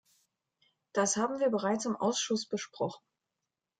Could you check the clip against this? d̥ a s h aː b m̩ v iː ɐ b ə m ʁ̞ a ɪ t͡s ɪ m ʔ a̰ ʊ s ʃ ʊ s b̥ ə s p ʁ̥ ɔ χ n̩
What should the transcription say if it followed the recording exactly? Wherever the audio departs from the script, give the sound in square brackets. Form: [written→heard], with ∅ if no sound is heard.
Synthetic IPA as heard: d̥ a s h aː b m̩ v iː ɐ b ə [m→∅] ʁ̞ a ɪ t͡s ɪ m ʔ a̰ ʊ s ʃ ʊ s b̥ ə [s→ʃ] p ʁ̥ ɔ χ n̩

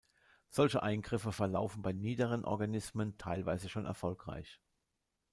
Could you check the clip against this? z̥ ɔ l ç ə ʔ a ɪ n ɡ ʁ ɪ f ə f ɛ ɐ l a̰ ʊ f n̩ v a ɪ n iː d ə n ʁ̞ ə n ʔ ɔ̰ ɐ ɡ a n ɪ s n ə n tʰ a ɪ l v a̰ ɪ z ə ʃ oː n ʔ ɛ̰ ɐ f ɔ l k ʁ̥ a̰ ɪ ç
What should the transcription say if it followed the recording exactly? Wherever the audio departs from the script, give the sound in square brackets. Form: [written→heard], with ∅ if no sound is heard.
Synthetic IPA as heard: z̥ ɔ l ç ə ʔ a ɪ n ɡ ʁ ɪ f ə f ɛ ɐ l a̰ ʊ f n̩ [v→b] a ɪ n iː d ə [n→∅] ʁ̞ ə n ʔ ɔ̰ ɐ ɡ a n ɪ s [n→m] ə n tʰ a ɪ l v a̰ ɪ z ə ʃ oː n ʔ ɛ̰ ɐ f ɔ l k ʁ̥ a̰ ɪ ç

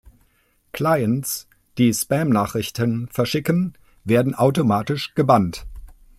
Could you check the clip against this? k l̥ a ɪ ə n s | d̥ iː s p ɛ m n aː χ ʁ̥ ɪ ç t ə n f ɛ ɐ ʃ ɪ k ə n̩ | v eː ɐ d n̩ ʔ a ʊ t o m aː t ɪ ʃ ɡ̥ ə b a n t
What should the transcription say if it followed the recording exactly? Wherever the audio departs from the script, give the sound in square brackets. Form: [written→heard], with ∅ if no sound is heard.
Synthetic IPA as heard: k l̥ a ɪ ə n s | d̥ iː s p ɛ m n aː χ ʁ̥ ɪ ç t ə n f ɛ ɐ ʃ ɪ k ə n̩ | v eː ɐ d n̩ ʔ a ʊ t o m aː t ɪ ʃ ɡ̥ ə b a n t

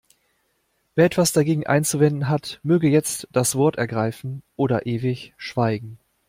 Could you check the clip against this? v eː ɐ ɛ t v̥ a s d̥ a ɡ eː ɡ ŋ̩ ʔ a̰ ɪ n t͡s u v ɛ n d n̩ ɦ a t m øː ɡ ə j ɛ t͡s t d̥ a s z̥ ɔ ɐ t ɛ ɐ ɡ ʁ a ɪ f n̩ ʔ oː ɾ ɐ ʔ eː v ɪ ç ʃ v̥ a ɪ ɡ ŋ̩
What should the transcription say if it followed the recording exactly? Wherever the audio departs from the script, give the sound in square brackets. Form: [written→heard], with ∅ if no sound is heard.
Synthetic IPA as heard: v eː ɐ ɛ t v̥ a s d̥ a ɡ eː ɡ ŋ̩ ʔ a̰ ɪ n t͡s u v ɛ n d n̩ ɦ a t m øː ɡ ə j ɛ t͡s t d̥ a s [z̥→v̥] ɔ ɐ t ɛ ɐ ɡ ʁ a ɪ f n̩ ʔ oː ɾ ɐ ʔ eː v ɪ ç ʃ v̥ a ɪ ɡ ŋ̩

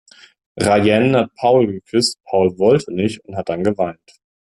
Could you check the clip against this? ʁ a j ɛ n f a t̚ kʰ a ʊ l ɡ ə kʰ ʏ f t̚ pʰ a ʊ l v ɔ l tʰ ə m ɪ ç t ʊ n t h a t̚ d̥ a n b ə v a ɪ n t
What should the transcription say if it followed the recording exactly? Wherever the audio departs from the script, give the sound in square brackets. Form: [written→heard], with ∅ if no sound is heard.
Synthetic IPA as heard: ʁ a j ɛ n [f→h] a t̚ [kʰ→pʰ] a ʊ l ɡ ə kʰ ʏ [f→s] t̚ pʰ a ʊ l v ɔ l tʰ ə [m→n] ɪ ç t ʊ n t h a t̚ d̥ a n [b→ɡ] ə v a ɪ n t

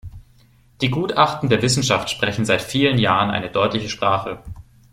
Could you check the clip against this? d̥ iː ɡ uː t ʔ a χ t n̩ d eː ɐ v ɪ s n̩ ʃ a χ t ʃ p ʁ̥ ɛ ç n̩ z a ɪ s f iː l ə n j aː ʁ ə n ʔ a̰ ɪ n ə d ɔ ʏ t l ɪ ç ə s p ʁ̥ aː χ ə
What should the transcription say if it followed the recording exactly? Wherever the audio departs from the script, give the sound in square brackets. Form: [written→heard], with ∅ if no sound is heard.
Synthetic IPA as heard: d̥ iː ɡ uː t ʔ a χ t n̩ d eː ɐ v ɪ s n̩ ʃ a [χ→f] t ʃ p ʁ̥ ɛ ç n̩ z a ɪ [s→t] f iː l ə n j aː ʁ ə n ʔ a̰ ɪ n ə d ɔ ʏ t l ɪ ç ə [s→ʃ] p ʁ̥ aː χ ə

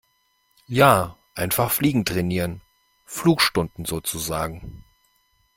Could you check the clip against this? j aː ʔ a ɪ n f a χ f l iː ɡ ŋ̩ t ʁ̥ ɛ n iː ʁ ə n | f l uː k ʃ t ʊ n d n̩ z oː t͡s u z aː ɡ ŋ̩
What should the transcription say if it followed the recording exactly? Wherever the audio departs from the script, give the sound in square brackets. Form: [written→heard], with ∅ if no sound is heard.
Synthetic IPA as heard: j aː ʔ a ɪ n f a χ f l iː ɡ ŋ̩ t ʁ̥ ɛ n iː ʁ ə n | f l uː k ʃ t ʊ n d n̩ z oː t͡s u z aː ɡ ŋ̩

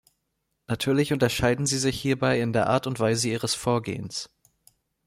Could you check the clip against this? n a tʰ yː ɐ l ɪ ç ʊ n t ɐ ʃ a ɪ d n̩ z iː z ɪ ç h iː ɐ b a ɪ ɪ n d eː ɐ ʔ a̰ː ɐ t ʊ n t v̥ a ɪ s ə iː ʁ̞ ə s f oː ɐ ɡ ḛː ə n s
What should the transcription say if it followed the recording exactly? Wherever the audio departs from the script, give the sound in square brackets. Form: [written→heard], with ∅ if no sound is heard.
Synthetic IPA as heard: n a tʰ yː ɐ l ɪ ç ʊ n t ɐ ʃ a ɪ d n̩ z iː z ɪ ç h iː ɐ b a ɪ ɪ n d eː ɐ ʔ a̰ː ɐ t ʊ n t v̥ a ɪ [s→z] ə iː ʁ̞ ə s f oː ɐ ɡ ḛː ə n s

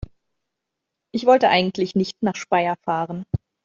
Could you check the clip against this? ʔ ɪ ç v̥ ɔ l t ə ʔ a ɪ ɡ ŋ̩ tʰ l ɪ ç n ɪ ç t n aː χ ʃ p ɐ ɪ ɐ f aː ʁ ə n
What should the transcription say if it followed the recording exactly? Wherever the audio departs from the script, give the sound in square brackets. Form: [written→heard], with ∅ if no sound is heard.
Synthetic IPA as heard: ʔ ɪ ç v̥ ɔ l t ə ʔ a ɪ ɡ ŋ̩ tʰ l ɪ ç n ɪ ç t n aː χ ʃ p [ɐ→a] ɪ ɐ f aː ʁ ə n

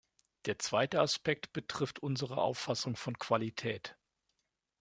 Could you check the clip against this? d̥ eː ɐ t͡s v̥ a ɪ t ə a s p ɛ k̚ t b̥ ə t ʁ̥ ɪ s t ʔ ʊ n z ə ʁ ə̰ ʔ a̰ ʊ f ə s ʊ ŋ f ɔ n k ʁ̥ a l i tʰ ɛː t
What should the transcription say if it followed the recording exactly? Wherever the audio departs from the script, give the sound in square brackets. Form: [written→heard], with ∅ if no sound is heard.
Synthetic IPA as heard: d̥ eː ɐ t͡s v̥ a ɪ t ə a s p ɛ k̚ t b̥ ə t ʁ̥ ɪ [s→f] t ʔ ʊ n z ə ʁ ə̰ ʔ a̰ ʊ f [ə→a] s ʊ ŋ f ɔ n k [ʁ̥→v̥] a l i tʰ ɛː t

